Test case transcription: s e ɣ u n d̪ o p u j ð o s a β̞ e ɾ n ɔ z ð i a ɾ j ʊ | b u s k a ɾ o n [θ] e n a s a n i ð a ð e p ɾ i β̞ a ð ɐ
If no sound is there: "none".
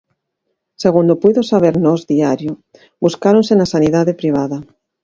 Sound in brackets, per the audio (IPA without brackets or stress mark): s